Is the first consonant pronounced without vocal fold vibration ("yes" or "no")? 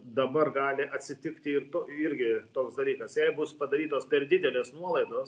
no